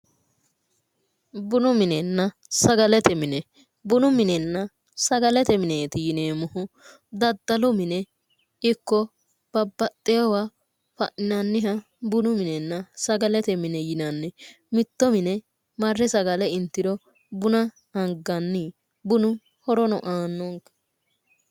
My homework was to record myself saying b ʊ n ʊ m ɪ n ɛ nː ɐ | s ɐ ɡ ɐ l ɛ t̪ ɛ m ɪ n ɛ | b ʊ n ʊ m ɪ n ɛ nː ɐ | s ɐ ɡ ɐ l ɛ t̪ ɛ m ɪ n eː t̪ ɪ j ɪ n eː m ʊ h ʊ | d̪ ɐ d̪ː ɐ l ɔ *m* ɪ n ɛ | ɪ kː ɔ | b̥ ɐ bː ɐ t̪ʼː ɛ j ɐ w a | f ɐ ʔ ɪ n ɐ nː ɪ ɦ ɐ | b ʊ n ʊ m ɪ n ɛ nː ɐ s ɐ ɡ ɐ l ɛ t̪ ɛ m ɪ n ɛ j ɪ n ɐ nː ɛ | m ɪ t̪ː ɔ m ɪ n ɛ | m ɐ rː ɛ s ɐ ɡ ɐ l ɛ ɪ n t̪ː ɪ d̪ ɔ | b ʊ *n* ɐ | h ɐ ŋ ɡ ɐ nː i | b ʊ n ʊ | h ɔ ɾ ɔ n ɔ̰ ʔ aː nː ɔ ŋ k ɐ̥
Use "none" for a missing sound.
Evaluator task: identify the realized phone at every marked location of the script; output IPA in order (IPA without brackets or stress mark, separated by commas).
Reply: m, n